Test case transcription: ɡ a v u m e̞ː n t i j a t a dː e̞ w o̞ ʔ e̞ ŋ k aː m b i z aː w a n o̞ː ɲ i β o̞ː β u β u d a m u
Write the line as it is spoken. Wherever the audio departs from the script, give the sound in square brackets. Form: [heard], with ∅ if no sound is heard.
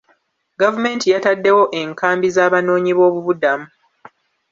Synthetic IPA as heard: ɡ a v u m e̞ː n t i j a t a dː e̞ w o̞ ʔ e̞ ŋ k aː m b i z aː [β] a n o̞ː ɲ i β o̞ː β u β u d a m u